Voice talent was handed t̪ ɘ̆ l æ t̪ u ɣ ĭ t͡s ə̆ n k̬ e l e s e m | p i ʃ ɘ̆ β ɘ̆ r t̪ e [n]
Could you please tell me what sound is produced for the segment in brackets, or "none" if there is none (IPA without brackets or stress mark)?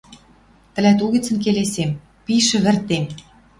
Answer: m